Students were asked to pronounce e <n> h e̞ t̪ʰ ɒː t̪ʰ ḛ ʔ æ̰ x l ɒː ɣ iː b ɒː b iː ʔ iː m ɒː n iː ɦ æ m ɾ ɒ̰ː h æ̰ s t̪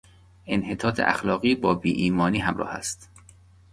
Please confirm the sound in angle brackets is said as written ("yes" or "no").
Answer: yes